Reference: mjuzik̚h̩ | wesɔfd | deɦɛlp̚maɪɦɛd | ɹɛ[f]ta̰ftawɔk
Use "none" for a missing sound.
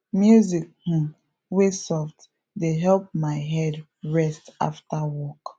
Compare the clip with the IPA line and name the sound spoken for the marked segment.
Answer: s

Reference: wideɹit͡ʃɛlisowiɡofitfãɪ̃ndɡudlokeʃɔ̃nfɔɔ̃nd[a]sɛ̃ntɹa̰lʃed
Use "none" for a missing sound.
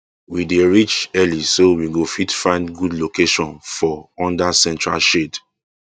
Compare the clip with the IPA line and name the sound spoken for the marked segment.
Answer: a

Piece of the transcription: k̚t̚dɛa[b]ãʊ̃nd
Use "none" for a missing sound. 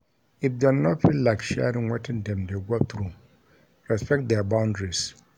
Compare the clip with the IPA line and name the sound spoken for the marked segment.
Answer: b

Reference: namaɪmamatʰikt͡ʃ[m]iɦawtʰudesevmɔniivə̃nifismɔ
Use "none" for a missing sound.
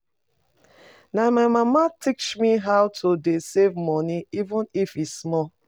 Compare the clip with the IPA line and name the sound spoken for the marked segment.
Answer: m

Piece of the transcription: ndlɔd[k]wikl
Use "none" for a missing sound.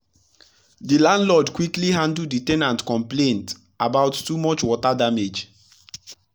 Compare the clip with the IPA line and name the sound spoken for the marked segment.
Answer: k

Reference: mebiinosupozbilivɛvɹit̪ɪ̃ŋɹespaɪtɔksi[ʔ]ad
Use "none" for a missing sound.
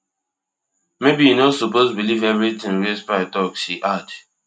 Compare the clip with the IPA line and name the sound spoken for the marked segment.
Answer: ʔ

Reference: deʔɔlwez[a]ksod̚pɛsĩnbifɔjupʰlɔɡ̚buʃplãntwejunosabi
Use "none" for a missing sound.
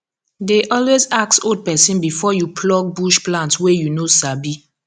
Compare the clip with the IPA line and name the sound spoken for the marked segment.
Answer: a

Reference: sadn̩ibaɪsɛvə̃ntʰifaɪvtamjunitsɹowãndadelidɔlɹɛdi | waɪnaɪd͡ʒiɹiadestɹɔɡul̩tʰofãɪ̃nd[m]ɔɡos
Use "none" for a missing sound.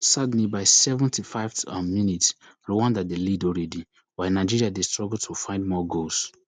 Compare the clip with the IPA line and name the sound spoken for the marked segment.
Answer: m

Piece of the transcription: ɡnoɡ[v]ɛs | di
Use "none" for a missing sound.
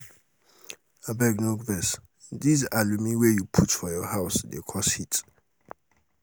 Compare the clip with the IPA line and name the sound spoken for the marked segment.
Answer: v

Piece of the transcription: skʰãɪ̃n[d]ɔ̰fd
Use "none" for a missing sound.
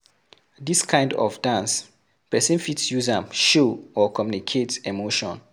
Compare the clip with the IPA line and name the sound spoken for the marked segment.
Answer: d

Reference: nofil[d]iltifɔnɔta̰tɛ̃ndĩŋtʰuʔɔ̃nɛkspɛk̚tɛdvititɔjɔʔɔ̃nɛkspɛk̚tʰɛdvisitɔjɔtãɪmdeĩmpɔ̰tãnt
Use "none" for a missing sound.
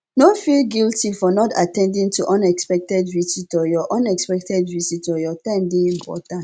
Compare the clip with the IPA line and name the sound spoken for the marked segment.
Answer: ɡ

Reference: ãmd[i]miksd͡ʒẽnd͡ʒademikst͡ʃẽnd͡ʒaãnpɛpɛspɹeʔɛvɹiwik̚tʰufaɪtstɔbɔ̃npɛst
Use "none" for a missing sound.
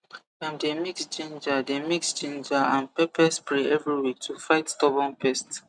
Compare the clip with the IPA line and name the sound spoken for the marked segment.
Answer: e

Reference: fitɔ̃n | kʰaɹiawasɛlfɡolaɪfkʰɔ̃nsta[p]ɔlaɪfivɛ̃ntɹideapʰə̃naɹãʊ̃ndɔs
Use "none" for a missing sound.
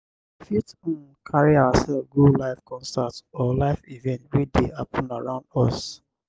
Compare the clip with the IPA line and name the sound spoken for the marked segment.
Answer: t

